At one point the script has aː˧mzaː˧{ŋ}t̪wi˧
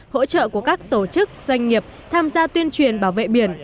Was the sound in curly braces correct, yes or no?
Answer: no